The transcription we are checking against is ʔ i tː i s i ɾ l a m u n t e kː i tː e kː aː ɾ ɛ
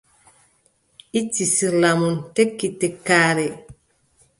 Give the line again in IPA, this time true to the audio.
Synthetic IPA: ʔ i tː i s i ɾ l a m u n t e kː i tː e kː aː ɾ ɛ